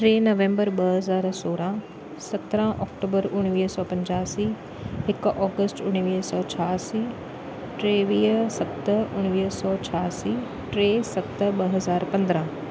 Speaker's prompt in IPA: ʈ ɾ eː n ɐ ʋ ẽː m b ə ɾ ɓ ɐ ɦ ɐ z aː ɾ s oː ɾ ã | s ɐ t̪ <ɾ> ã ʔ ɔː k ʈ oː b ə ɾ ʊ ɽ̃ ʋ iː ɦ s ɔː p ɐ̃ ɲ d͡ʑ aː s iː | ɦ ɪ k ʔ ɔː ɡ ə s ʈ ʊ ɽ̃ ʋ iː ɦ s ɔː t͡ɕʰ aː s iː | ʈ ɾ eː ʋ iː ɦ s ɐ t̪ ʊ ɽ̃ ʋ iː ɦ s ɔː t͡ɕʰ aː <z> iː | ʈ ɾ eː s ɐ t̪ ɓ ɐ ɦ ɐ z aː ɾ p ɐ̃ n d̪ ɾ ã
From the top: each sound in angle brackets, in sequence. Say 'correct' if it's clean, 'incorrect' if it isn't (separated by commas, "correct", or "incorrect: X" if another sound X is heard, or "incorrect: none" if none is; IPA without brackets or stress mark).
correct, incorrect: s